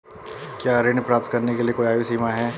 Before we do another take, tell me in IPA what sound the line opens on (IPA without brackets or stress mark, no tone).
k